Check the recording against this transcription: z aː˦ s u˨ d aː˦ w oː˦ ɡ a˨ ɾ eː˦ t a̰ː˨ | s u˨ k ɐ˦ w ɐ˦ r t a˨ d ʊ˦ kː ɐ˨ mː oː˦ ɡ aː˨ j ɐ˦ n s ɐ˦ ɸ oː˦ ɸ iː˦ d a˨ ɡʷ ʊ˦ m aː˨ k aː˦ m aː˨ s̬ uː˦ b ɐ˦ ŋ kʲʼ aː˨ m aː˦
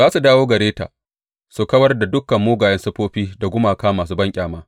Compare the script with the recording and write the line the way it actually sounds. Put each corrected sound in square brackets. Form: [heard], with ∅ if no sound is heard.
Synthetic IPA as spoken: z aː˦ s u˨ d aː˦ w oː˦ ɡ [ɐ˨] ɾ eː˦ t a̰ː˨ | s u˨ k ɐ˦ w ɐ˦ r [d] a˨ d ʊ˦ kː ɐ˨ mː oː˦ ɡ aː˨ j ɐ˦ n s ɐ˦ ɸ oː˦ ɸ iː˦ d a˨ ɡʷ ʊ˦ m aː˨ k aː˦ m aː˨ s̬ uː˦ b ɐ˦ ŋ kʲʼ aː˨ m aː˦